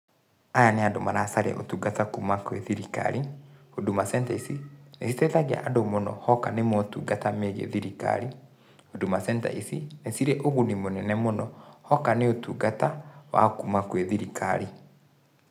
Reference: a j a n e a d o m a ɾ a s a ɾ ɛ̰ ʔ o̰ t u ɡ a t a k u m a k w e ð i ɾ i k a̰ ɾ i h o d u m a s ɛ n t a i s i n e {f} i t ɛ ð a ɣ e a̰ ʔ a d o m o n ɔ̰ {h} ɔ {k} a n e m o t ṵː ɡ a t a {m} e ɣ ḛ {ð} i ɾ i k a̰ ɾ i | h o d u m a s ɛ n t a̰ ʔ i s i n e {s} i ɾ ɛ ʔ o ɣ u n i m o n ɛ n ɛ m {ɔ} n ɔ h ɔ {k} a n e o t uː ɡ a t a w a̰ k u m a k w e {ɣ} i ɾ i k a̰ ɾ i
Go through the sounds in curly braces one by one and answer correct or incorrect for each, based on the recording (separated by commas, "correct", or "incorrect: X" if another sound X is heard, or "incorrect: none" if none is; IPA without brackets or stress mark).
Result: incorrect: s, correct, correct, correct, correct, correct, incorrect: o, correct, incorrect: ð